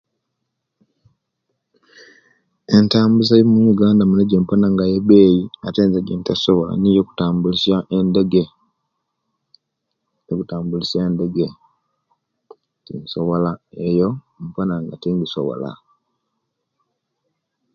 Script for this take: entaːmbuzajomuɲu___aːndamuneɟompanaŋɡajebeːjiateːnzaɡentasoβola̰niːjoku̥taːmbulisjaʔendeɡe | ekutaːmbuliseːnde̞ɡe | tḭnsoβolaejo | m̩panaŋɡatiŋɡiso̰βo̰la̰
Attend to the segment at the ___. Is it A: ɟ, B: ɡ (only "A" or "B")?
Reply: B